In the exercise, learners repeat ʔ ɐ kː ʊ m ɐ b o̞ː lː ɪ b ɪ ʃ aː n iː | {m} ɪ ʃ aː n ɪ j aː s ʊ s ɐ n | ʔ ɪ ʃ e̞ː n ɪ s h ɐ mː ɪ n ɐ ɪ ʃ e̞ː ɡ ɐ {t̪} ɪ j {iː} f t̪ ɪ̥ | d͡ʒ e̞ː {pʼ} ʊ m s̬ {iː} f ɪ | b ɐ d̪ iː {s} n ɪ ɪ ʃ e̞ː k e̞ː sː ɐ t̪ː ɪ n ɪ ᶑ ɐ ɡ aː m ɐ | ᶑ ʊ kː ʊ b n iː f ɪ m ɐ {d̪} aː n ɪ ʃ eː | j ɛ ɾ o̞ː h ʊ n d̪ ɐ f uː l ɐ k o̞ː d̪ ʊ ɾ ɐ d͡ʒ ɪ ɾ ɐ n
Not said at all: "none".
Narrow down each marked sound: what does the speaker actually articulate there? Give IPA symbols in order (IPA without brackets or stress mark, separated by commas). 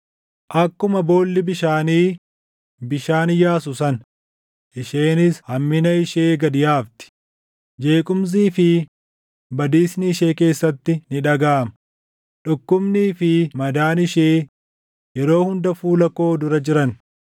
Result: b, d̪, aː, kʼ, iː, s, d̪